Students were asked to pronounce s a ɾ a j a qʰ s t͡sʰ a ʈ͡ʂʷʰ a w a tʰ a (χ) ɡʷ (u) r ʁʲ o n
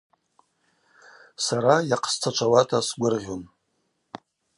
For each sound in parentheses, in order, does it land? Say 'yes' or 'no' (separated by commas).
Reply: no, no